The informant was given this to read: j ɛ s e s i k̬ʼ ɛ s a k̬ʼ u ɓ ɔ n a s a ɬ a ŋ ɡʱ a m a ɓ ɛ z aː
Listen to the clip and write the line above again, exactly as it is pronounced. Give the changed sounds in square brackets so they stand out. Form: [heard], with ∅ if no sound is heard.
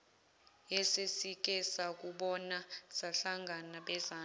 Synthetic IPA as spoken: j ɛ s e s i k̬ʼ ɛ s a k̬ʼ u ɓ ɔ n a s a ɬ a ŋ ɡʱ a [n] a ɓ ɛ z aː